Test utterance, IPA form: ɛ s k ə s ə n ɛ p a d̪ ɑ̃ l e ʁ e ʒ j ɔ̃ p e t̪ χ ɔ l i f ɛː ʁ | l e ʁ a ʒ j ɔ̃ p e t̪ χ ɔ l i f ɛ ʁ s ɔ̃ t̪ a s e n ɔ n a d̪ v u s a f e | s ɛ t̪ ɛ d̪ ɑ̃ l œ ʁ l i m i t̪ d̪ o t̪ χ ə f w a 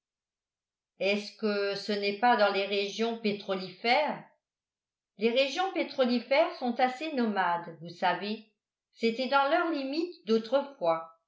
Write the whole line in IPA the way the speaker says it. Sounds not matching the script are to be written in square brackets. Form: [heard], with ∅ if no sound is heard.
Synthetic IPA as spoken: ɛ s k ə s ə n ɛ p a d̪ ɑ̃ l e ʁ e ʒ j ɔ̃ p e t̪ χ ɔ l i f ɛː ʁ | l e ʁ [e] ʒ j ɔ̃ p e t̪ χ ɔ l i f ɛ ʁ s ɔ̃ t̪ a s e n ɔ [m] a d̪ v u s a [v] e | s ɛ t̪ ɛ d̪ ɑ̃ l œ ʁ l i m i t̪ d̪ o t̪ χ ə f w a